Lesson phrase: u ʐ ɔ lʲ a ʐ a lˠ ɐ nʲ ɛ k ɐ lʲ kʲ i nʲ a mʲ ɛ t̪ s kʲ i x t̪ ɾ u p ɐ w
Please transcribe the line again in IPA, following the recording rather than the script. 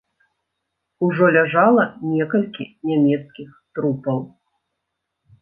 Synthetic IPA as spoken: u ʐ ɔ lʲ a ʐ a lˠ ɐ nʲ ɛ k ɐ lʲ kʲ i nʲ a mʲ ɛ t̪ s kʲ i x t̪ ɾ u p ɐ w